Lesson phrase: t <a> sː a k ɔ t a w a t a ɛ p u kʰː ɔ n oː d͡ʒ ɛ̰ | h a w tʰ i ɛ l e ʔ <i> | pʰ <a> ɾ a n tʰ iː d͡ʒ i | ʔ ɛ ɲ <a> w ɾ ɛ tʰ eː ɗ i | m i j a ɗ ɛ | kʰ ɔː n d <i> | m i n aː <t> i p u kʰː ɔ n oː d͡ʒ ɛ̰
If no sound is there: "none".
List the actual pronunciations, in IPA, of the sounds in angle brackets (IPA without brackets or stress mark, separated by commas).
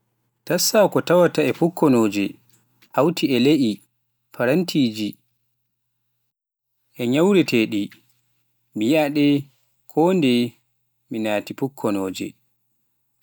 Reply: a, i, a, a, ɛ, t